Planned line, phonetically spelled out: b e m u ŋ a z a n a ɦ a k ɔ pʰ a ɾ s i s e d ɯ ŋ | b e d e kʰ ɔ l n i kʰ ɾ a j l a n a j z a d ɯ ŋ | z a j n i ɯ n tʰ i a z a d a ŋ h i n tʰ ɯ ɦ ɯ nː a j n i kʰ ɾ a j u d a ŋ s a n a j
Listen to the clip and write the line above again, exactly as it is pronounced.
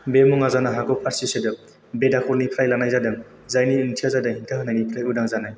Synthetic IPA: b e m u ŋ a z a n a ɦ a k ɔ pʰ a ɾ s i s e d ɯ | b e d a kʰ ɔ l n i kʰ ɾ a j l a n a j z a d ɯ ŋ | z a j n i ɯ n tʰ i a z a d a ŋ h i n tʰ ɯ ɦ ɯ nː a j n i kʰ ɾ a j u d a ŋ z a n a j